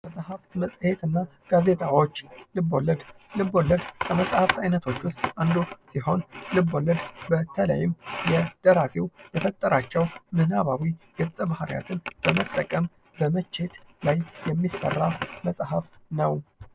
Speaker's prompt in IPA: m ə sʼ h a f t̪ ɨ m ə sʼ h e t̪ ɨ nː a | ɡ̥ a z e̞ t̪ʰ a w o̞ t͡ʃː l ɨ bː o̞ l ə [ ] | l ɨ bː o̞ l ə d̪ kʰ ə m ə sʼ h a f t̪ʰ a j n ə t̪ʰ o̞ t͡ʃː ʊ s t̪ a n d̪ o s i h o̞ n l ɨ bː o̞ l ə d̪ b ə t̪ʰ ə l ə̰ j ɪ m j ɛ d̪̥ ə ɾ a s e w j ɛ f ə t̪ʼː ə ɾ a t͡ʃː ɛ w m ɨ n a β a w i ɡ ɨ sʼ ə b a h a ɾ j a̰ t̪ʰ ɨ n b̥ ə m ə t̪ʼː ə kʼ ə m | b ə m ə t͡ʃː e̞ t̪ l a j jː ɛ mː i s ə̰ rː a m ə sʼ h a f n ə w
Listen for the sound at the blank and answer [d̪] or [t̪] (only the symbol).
d̪